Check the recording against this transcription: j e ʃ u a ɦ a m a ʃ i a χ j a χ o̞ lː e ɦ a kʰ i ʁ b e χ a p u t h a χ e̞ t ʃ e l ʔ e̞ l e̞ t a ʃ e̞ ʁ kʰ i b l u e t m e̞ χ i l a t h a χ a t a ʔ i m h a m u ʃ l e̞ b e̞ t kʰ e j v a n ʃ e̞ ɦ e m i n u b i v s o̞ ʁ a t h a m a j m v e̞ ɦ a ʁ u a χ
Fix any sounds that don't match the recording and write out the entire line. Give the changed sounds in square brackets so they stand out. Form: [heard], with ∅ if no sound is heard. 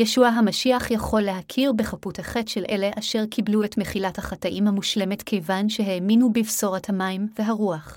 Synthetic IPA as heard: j e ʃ u a ɦ a m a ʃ i a χ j a χ o̞ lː e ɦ a kʰ i ʁ b e χ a p u t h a χ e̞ t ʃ e l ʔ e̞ l e̞ [ʔ] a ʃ e̞ ʁ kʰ i b l u e t m e̞ χ i l a t h a χ a t a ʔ i m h a m u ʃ l e̞ [m] e̞ t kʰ e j v a n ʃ e̞ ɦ e m i n u b i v s o̞ ʁ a t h a m a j m v e̞ ɦ a ʁ u a χ